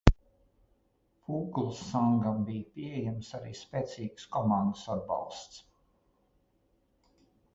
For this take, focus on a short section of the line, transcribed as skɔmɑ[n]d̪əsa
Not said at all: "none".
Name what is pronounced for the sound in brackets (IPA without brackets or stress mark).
n